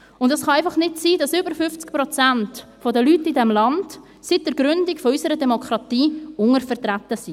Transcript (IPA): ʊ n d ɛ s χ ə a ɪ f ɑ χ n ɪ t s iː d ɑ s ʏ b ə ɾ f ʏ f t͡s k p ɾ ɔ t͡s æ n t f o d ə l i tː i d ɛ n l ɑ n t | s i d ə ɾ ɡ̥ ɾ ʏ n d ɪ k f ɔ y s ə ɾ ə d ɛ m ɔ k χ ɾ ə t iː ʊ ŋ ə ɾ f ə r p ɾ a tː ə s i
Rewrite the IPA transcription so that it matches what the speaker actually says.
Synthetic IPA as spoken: ʊ n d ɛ s χ ɑ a ɪ f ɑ χ n ɪ t s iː d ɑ s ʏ b ə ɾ f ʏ f t͡s k p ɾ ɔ t͡s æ n t f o d ə l y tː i d ɛ m l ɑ n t | s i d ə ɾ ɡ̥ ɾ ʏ n d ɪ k f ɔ y s ə ɾ ə d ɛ m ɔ k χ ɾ ɑ t iː ʊ ŋ ə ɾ f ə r t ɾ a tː ə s i

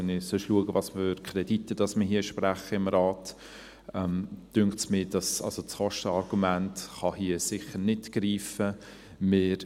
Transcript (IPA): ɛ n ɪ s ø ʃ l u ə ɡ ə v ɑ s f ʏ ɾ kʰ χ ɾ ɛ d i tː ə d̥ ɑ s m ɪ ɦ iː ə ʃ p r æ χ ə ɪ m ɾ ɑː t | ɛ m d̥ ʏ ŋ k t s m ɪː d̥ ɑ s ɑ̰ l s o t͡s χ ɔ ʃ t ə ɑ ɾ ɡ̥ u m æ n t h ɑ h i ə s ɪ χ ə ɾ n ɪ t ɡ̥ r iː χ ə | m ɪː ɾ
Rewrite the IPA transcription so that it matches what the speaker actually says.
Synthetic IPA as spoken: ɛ n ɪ s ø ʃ l u ə ɡ ə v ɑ s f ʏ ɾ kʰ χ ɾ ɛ d i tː ə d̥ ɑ s m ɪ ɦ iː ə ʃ p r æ χ ə ɪ m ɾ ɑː t | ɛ m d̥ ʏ ŋ k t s m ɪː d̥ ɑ s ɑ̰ l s o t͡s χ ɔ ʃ t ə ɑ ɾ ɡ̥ u m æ n t χ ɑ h i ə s ɪ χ ə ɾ n ɪ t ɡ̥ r iː f ə | m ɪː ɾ

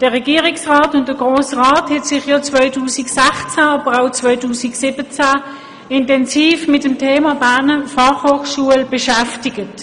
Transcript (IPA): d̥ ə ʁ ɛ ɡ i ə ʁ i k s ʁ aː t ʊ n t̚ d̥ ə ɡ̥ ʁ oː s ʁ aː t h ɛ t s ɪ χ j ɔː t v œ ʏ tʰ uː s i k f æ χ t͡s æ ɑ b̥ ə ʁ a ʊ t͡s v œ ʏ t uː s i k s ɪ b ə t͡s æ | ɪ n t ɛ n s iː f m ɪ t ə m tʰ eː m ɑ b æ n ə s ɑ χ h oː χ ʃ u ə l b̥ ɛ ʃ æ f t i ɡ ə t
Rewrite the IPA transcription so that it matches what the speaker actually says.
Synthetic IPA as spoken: d̥ ə ʁ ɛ ɡ i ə ʁ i k s ʁ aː t ʊ n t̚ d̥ ə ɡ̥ ʁ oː s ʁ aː t h ɛ t s ɪ χ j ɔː t͡s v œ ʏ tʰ uː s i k s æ χ t͡s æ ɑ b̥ ə ʁ a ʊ t͡s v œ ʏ t uː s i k s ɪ b ə t͡s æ | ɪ n t ɛ n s iː f m ɪ t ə m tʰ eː m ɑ b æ n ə f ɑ χ h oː χ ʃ u ə l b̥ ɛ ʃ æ f t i ɡ ə t

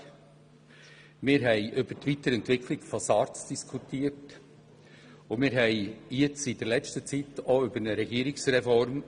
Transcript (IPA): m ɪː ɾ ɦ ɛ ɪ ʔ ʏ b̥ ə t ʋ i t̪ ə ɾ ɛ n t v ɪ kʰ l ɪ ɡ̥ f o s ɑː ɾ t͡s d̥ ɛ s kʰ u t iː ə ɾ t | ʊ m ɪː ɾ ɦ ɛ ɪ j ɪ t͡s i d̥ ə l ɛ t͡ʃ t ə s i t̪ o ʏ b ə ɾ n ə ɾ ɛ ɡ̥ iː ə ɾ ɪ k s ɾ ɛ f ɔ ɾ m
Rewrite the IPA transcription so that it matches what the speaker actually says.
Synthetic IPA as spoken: m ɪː ɾ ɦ ɛ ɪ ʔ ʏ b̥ ə t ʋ i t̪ ə ɾ ɛ n t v ɪ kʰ l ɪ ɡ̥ f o s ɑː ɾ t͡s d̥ i s kʰ u t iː ə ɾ t | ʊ m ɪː ɾ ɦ ɛ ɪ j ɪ t͡s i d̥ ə l ɛ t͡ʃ t ə t͡s i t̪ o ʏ b ə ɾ n ə ɾ ɛ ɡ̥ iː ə ɾ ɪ k s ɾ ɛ f ɔ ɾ m

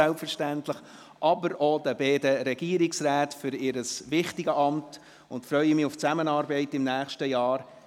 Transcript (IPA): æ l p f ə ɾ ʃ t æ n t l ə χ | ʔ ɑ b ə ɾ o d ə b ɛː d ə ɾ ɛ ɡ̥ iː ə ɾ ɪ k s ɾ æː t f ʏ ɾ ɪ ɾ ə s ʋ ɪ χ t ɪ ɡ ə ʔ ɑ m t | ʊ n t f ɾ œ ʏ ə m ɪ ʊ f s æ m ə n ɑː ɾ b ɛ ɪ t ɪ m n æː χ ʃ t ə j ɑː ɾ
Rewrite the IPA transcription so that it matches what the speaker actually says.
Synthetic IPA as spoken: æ l p f ə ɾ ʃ t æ n t l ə χ | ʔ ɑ b ə ɾ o d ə b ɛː d ə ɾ ɛ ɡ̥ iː ə ɾ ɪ k s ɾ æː t f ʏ ɾ ɪ ɾ ə s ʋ ɪ χ t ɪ ɡ ə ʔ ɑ m t | ʊ n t f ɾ œ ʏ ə m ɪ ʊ f t͡s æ m ə n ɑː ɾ b ɛ ɪ t ɪ m n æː χ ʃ t ə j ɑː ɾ

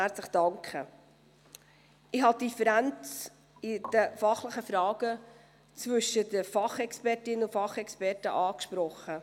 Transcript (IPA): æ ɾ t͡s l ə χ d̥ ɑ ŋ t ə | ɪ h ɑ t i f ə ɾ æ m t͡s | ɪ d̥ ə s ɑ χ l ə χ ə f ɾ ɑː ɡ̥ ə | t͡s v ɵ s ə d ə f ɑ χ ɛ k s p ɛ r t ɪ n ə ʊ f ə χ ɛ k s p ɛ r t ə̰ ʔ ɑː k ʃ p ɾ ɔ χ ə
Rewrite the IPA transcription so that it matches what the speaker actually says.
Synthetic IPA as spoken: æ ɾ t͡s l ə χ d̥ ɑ ŋ k ə | ɪ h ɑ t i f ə ɾ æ n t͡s | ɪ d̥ ə f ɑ χ l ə χ ə f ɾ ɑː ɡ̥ ə | t͡s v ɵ ʃ ə d ə f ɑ χ ɛ k s p ɛ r t ɪ n ə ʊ f ɑ χ ɛ k s p ɛ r t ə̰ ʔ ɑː k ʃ p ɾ ɔ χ ə

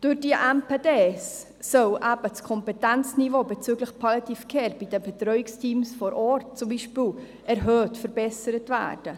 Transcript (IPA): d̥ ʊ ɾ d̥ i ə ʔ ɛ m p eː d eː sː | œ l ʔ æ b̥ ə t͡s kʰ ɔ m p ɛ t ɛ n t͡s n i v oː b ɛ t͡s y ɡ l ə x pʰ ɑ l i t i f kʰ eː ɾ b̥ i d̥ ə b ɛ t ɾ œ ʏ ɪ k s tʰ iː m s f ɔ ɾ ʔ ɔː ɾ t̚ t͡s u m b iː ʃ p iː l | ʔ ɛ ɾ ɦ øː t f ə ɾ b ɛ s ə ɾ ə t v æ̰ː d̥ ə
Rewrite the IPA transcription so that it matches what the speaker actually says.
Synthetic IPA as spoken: d̥ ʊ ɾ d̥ i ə ʔ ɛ m p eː d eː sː | œ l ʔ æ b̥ ə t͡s kʰ ɔ m p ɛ t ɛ n t͡s n i v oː b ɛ t͡s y ɡ l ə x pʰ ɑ l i t i f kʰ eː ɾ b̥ i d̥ ə b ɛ t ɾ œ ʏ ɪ k s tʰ iː m s f ɔ ɾ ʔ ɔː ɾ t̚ t͡s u m b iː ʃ p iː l | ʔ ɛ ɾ ɦ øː t f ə ɾ b ɛ s ə ɾ ə t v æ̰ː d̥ ə

